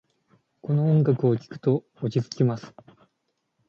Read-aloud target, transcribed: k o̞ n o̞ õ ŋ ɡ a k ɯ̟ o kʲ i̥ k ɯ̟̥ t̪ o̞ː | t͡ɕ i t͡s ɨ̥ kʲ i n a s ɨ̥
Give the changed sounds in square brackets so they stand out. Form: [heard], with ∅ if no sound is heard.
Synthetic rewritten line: k o̞ n o̞ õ ŋ ɡ a k ɯ̟ o kʲ i̥ k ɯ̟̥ t̪ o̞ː | t͡ɕ i t͡s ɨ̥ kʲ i [m] a s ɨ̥

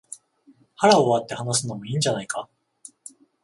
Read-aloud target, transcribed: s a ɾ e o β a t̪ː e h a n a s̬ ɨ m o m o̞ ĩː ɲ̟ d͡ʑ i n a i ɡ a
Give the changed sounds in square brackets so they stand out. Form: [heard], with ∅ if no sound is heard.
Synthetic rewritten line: [h] a ɾ [a] o β a t̪ː e h a n a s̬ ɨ [n] o m o̞ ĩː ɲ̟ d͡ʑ [a] n a i [k] a

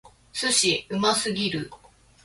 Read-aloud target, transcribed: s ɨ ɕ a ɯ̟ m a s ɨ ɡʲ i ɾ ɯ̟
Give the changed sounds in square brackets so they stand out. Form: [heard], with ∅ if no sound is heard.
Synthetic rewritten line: s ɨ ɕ [i] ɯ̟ m a s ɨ ɡʲ i ɾ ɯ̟

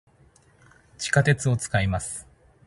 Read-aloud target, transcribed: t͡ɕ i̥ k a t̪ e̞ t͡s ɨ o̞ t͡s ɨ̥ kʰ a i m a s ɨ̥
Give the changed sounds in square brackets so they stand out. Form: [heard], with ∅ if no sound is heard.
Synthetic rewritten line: t͡ɕ i̥ k a t̪ e̞ t͡s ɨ o̞ t͡s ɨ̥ [k] a i m a s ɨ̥

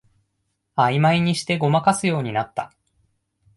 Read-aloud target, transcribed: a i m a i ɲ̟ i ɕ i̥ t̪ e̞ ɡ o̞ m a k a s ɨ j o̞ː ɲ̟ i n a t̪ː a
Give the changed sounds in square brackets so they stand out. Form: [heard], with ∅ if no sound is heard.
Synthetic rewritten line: a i m a i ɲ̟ i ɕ i̥ t̪ e̞ ɡ o̞ m a k a s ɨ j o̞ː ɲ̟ i n a t̪ː a

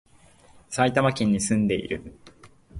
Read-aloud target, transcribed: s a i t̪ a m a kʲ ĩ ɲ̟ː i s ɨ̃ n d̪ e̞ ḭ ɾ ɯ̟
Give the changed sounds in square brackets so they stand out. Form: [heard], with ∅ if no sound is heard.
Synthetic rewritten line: s a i t̪ a m a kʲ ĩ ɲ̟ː i s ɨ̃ n d̪ e̞ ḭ ɾ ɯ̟

